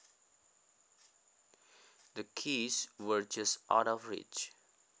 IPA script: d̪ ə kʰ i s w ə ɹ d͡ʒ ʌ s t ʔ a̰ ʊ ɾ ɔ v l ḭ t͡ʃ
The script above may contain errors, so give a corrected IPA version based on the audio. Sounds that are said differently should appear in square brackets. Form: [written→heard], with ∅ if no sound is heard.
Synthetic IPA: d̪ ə kʰ i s w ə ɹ d͡ʒ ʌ s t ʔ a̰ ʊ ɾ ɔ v [l→ɹ] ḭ t͡ʃ